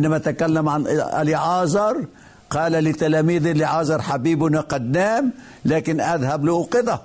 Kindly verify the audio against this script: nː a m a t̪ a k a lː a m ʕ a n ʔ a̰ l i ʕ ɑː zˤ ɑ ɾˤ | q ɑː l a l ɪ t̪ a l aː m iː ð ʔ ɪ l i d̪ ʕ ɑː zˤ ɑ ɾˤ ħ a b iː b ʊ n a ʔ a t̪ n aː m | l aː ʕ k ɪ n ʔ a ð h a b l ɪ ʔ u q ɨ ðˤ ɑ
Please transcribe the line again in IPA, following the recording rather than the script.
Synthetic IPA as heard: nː a m a t̪ a k a lː a m ʕ a n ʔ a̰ l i ʕ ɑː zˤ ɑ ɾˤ | q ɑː l a l ɪ t̪ a l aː m iː ð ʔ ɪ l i ʕ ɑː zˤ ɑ ɾˤ ħ a b iː b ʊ n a q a d̪ n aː m | l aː k ɪ n ʔ a ð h a b l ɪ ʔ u q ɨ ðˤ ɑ